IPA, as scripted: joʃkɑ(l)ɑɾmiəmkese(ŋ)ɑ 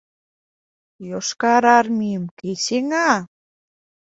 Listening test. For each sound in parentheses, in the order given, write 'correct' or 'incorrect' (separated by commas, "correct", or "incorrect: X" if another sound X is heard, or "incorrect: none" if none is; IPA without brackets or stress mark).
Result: incorrect: ɾ, correct